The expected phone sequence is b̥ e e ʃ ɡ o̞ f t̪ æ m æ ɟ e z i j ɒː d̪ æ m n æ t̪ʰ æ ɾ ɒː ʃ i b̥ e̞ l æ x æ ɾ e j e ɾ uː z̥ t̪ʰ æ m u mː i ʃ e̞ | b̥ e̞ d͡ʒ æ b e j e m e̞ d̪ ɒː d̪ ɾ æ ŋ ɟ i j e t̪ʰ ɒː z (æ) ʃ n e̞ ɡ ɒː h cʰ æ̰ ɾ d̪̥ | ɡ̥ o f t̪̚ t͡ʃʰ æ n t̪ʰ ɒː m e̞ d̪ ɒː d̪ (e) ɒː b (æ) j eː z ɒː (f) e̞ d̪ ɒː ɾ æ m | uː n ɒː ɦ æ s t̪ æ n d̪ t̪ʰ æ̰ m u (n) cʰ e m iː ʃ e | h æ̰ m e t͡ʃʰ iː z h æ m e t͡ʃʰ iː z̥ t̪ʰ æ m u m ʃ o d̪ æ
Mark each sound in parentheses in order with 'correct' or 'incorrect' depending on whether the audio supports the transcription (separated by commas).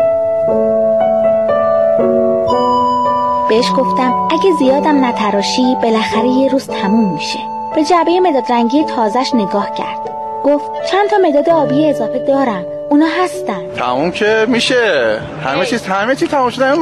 correct, correct, incorrect, correct, incorrect